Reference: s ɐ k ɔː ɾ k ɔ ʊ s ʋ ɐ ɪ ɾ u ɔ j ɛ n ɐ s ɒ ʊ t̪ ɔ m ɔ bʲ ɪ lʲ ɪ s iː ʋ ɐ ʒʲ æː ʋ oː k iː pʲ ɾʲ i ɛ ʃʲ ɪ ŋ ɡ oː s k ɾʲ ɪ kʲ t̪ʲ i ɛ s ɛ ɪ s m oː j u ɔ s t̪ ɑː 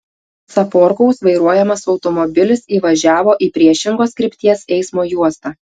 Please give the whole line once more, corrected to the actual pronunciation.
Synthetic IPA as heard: s ɐ p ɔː ɾ k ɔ ʊ s ʋ ɐ ɪ ɾ u ɔ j ɛ m ɐ s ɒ ʊ t̪ ɔ m ɔ bʲ ɪ lʲ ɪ s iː ʋ ɐ ʒʲ æː ʋ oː ʔ iː pʲ ɾʲ i ɛ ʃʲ ɪ ŋ ɡ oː s k ɾʲ ɪ pʲ t̪ʲ i ɛ s ɛ ɪ s m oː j u ɔ s t̪ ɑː